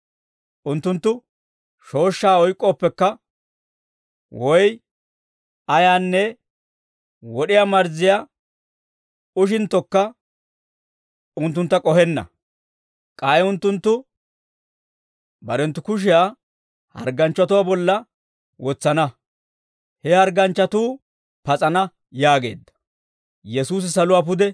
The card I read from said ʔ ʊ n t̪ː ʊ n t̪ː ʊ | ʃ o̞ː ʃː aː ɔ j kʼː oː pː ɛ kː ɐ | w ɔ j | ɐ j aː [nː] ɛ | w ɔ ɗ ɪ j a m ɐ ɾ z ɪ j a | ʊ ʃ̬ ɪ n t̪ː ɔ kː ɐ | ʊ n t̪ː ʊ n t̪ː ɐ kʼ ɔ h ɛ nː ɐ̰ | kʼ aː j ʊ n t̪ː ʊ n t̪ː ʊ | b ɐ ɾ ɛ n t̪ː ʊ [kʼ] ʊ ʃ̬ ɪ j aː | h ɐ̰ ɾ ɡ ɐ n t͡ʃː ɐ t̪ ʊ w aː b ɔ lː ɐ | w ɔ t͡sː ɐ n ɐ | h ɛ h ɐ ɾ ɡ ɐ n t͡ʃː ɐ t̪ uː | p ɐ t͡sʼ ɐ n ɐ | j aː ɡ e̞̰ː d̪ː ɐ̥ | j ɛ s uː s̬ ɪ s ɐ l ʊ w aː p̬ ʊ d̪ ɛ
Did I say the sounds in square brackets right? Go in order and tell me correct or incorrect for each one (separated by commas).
correct, incorrect